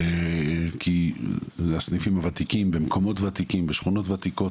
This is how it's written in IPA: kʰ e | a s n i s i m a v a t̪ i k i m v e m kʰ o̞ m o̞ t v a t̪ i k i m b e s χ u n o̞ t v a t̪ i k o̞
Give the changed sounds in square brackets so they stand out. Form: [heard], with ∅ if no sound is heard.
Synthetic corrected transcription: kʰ [i] | a s n i [f] i m a v a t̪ i k i m [b] e m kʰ o̞ m o̞ t v a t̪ i k i m b e [ʃ] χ u n o̞ t v a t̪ i k o̞